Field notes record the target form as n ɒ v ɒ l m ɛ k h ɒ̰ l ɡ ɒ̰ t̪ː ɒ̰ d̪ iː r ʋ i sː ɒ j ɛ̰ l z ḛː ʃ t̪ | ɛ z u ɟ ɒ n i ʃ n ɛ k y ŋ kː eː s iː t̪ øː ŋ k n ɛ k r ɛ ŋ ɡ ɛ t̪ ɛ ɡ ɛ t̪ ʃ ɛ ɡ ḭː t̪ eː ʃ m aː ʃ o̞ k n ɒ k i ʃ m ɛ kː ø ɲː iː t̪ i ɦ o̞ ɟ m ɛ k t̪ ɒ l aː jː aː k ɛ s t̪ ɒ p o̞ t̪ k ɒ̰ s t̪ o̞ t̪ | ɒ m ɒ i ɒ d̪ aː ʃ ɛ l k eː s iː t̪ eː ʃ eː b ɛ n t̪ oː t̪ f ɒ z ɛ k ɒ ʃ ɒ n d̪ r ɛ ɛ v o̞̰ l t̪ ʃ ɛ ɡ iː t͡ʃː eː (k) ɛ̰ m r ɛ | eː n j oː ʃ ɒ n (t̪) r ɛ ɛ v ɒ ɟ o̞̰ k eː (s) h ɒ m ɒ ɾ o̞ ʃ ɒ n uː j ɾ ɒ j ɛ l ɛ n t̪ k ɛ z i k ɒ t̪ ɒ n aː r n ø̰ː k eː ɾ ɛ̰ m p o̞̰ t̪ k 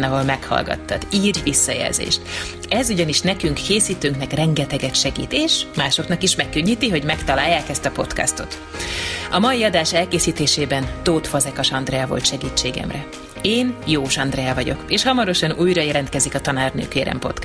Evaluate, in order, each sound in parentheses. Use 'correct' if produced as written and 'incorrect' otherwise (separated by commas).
incorrect, incorrect, incorrect